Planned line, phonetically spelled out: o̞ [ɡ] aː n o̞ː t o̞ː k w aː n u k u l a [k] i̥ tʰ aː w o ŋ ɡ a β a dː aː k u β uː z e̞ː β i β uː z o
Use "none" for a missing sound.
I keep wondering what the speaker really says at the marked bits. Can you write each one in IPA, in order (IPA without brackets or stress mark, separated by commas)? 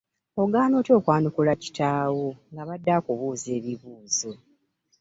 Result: ɡ, c